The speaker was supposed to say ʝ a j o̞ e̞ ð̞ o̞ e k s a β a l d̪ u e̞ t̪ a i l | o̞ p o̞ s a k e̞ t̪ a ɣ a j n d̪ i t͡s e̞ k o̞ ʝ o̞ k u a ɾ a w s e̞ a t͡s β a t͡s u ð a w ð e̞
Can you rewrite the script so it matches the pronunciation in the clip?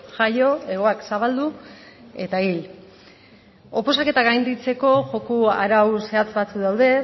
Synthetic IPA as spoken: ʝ a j o̞ e̞ ɣ̞ o̞ a k s a β a l d̪ u e̞ t̪ a i l | o̞ p o̞ s a k e̞ t̪ a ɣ a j n d̪ i t͡s e̞ k o̞ ʝ o̞ k u a ɾ a w s e̞ a t͡s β a t͡s u ð a w ð e̞